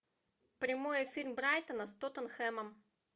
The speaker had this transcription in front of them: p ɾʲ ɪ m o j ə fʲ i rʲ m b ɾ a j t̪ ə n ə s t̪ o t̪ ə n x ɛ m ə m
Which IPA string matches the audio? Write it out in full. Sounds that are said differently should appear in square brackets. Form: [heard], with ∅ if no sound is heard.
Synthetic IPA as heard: p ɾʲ ɪ m o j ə fʲ i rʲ m b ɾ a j t̪ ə n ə s t̪ o t̪ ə n x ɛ m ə m